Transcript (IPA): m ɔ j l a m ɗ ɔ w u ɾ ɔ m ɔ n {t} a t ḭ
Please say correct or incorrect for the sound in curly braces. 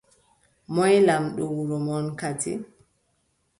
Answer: incorrect: k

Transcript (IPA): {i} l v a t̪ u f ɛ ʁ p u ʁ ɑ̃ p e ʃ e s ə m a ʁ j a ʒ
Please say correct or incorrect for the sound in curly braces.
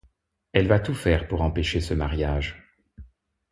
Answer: incorrect: ɛ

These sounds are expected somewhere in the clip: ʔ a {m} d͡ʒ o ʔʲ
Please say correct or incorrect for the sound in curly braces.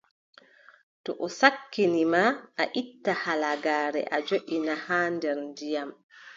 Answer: incorrect: none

